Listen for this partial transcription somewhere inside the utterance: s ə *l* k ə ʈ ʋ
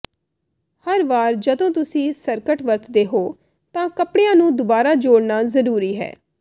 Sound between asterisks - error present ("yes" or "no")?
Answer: yes